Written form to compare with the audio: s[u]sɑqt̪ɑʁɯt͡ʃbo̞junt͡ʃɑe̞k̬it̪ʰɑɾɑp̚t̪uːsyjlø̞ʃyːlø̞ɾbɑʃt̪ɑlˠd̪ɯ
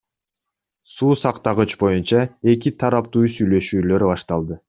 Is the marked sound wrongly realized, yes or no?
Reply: yes